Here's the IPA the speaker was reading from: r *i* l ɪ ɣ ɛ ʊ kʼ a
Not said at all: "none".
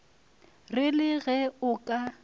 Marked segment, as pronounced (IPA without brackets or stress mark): ɪ